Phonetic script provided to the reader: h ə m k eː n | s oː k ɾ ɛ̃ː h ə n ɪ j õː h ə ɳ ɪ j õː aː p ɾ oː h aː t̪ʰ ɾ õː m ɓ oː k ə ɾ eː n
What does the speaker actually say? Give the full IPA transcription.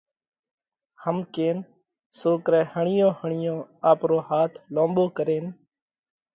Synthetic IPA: h ə m k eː n | s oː k ɾ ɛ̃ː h ə ɳ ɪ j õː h ə ɳ ɪ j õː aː p ɾ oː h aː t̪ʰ l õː m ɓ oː k ə ɾ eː n